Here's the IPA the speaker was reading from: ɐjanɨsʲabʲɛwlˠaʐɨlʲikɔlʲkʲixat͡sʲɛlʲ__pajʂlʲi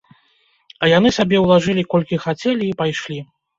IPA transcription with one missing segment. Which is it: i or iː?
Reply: iː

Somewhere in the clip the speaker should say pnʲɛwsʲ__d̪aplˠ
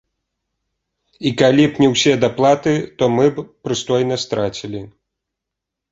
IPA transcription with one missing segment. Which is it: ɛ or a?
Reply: ɛ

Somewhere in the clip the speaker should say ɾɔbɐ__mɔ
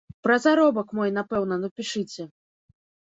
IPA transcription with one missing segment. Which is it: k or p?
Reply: k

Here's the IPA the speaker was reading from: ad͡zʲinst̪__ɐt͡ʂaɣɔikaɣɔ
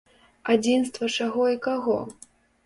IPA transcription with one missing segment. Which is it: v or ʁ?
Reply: v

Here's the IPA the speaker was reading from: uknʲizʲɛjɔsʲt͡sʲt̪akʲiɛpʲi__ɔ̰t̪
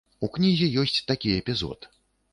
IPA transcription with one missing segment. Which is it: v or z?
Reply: z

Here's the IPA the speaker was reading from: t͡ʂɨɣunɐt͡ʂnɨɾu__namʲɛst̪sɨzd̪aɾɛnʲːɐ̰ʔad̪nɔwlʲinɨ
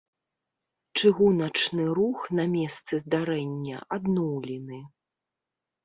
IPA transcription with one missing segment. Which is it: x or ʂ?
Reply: x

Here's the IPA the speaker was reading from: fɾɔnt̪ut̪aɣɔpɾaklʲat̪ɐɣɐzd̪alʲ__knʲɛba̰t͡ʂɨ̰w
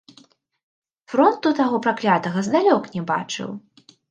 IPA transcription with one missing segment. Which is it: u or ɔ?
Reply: ɔ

